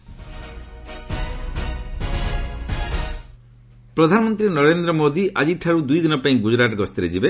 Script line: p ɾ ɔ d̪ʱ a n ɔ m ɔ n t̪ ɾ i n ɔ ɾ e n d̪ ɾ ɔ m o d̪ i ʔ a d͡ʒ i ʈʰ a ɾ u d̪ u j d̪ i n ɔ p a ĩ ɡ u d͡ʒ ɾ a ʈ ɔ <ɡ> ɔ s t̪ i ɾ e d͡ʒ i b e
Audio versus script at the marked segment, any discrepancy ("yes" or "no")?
no